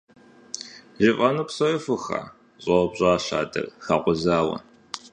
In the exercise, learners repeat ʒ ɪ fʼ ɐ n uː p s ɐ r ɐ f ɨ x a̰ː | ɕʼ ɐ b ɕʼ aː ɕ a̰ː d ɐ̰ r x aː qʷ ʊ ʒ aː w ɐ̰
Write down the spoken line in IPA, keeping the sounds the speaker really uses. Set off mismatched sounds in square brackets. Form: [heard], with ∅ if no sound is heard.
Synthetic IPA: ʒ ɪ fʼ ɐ n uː p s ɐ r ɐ f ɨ x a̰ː | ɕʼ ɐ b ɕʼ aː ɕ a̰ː d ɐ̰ r x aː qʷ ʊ [z] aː w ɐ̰